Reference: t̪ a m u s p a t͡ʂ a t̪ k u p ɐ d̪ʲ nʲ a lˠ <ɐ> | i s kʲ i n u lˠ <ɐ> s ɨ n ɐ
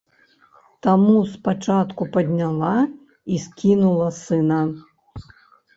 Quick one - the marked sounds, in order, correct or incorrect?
incorrect: a, correct

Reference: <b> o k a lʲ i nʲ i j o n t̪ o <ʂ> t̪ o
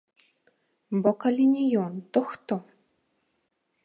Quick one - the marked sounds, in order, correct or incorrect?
correct, incorrect: x

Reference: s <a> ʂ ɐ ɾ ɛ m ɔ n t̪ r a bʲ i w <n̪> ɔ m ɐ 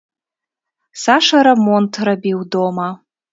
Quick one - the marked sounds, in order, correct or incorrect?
correct, incorrect: d̪

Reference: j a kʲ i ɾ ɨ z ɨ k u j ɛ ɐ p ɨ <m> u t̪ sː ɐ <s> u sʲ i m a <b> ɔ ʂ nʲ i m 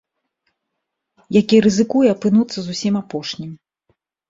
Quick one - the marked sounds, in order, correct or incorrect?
incorrect: n, incorrect: z, incorrect: p

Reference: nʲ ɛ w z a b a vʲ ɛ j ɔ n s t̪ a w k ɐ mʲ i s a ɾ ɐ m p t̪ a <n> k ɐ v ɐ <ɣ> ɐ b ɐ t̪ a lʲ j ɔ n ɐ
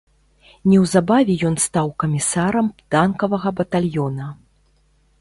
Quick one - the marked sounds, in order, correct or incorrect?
correct, correct

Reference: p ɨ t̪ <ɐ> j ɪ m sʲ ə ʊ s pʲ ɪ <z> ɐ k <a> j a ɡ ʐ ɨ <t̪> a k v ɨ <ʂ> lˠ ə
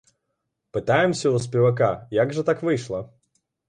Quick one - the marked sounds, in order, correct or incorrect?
incorrect: a, incorrect: v, correct, correct, correct

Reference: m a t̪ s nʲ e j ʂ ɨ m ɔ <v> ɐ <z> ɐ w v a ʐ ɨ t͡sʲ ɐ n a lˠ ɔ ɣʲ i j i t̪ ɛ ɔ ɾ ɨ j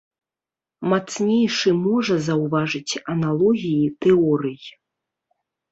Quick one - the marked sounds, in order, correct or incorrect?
incorrect: ʐ, correct

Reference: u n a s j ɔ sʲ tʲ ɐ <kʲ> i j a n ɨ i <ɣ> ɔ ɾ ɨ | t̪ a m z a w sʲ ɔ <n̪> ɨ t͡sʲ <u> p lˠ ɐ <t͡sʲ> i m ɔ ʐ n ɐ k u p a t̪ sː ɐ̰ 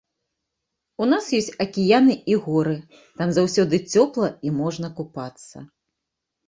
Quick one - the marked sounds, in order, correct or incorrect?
correct, correct, incorrect: d̪, incorrect: ɔ, incorrect: none

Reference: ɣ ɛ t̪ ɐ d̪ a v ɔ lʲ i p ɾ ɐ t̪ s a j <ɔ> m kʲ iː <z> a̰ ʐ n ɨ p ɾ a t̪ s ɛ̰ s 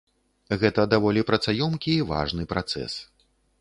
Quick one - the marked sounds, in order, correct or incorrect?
correct, incorrect: v

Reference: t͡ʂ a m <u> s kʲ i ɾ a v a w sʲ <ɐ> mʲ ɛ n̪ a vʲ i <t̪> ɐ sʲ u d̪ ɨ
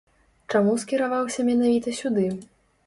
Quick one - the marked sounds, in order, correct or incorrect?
correct, correct, correct

